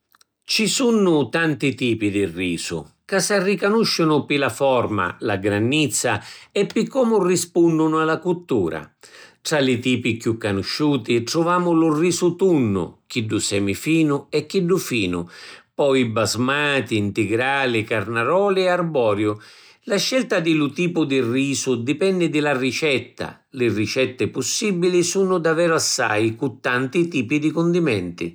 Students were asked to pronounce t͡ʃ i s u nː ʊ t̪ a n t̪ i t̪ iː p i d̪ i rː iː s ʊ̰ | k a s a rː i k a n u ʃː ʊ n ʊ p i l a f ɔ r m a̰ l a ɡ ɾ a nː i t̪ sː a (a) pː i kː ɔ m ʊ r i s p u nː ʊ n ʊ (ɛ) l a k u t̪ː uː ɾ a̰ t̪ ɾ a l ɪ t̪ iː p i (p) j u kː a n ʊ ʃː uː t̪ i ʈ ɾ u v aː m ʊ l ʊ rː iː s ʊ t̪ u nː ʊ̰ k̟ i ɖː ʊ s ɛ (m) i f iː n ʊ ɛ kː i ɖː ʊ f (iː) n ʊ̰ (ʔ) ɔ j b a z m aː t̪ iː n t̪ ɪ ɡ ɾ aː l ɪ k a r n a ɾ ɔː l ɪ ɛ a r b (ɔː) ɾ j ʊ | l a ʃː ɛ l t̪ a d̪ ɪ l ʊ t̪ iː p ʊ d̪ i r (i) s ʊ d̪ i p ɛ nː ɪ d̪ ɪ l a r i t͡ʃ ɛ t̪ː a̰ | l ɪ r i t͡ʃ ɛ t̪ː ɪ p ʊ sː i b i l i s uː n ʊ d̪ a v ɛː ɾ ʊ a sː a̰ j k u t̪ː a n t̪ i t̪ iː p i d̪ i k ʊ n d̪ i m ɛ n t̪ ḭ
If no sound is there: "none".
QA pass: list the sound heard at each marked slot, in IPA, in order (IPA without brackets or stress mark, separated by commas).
ɛ, a, k, m, iː, p, ɔː, iː